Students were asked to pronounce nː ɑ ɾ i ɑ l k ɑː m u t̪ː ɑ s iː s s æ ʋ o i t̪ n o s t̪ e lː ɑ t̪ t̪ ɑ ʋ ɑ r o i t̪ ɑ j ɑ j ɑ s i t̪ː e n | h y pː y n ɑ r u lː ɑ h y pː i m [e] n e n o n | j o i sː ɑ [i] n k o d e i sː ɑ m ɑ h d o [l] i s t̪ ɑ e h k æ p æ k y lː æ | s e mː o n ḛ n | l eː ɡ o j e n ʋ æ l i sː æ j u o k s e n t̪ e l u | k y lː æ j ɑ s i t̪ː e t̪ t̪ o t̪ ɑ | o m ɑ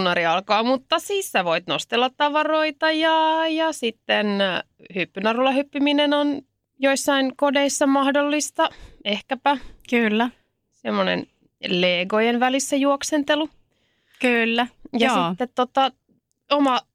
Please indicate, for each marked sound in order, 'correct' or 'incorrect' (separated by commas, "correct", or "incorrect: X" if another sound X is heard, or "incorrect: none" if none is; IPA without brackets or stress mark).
incorrect: i, correct, incorrect: lː